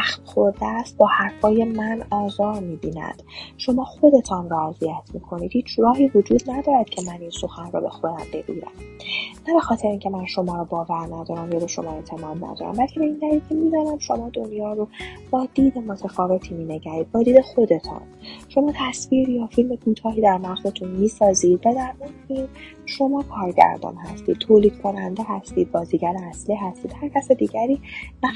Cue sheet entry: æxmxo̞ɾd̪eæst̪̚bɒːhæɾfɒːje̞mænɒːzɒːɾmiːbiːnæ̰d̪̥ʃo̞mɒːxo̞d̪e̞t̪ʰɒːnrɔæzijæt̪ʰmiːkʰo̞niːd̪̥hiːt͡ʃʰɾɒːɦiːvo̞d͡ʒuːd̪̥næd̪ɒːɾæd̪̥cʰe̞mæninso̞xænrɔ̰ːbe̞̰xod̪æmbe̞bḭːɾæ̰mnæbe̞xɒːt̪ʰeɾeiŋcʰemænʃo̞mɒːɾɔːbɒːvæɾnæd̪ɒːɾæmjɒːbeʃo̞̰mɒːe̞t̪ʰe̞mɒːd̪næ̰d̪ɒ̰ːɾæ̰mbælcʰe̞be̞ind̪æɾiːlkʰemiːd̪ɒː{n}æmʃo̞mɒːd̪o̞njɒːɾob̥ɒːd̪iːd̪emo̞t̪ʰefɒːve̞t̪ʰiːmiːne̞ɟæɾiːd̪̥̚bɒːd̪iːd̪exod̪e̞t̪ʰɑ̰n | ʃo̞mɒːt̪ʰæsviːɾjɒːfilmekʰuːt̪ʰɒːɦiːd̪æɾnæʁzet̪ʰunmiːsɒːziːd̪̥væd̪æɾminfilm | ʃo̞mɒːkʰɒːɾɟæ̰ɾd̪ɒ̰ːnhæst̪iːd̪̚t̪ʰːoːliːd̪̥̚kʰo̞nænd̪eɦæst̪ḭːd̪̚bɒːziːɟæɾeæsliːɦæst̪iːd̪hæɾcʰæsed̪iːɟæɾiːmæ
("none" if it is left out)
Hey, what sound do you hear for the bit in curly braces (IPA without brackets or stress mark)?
n